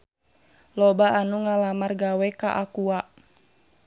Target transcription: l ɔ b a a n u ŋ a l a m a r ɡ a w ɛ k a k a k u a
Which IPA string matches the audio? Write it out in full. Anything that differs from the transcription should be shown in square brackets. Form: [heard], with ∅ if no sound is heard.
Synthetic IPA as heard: l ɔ b a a n u ŋ a l a m a r ɡ a w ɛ k a [ʔ] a k u a